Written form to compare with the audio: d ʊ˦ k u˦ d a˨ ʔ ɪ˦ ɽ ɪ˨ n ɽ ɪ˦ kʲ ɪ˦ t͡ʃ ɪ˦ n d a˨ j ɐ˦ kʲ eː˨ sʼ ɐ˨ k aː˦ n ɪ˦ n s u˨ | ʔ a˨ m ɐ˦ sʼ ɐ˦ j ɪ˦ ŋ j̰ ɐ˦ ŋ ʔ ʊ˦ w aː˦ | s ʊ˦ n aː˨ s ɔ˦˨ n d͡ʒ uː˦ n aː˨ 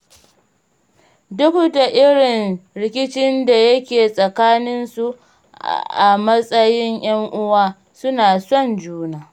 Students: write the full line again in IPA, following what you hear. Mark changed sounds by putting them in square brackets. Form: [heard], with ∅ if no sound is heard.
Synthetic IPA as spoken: d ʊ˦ k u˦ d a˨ ʔ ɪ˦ ɽ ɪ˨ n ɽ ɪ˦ kʲ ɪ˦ t͡ʃ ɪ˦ n d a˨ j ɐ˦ kʲ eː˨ sʼ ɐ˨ k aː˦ n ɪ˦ n s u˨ | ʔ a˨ m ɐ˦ sʼ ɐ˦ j ɪ˦ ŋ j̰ ɐ˦ ŋ ʔ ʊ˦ w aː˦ | s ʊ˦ n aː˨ s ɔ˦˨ n d͡ʒ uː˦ n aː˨